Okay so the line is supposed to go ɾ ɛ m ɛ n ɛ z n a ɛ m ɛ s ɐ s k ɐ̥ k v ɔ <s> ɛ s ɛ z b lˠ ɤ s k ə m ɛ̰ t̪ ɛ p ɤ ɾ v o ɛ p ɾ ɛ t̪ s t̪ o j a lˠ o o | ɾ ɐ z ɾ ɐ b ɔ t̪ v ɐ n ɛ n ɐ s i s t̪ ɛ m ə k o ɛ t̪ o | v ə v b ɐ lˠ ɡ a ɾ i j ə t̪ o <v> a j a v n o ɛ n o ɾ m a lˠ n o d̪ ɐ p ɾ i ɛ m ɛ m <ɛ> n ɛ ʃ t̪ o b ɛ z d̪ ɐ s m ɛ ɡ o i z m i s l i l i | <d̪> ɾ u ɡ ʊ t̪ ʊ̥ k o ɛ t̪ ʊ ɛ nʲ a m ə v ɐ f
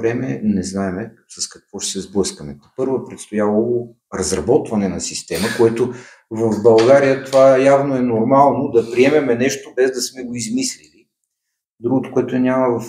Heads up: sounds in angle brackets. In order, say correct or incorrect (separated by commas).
incorrect, correct, correct, correct